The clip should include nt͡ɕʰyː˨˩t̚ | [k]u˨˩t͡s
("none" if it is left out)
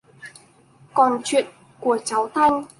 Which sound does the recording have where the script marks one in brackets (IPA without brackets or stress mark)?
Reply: k